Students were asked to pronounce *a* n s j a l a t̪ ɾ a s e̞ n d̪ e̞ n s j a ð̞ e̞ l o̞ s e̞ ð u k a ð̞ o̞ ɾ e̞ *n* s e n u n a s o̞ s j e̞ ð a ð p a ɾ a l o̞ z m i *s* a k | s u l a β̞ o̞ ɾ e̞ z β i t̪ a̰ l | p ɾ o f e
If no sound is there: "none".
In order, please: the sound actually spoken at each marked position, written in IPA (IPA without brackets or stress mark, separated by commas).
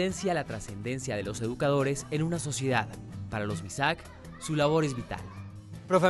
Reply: e, none, s